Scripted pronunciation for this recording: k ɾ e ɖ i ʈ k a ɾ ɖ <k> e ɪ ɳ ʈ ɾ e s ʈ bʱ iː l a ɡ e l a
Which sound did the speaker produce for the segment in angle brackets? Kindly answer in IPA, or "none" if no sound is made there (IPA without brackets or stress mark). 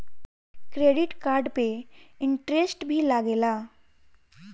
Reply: p